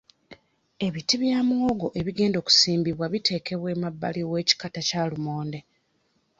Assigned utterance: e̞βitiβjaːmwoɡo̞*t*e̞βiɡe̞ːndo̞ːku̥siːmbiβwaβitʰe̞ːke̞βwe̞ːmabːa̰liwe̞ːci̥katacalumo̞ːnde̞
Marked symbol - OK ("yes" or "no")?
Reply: no